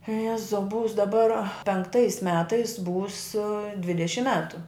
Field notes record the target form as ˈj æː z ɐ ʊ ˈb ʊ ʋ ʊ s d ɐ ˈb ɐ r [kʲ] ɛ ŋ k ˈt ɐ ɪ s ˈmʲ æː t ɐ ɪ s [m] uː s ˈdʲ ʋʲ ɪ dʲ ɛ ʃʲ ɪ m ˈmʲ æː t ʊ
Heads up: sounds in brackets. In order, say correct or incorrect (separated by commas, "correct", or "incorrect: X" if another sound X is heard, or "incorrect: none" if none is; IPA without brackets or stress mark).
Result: incorrect: pʲ, incorrect: b